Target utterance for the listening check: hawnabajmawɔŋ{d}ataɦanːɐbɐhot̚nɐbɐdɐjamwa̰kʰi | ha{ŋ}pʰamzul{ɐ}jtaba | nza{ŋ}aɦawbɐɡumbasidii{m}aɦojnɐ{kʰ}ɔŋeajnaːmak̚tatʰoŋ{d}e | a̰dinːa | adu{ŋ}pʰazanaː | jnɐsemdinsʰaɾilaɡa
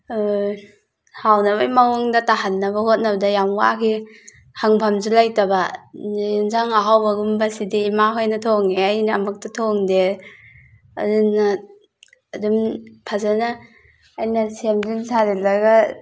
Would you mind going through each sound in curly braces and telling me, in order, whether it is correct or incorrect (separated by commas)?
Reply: correct, correct, incorrect, correct, correct, incorrect, correct, incorrect